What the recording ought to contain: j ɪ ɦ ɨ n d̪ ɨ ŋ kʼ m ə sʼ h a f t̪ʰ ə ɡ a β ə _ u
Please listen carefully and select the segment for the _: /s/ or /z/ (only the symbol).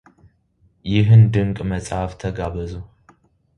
z